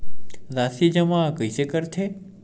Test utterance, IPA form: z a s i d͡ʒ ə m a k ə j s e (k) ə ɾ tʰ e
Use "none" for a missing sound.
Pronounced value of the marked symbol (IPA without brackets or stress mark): k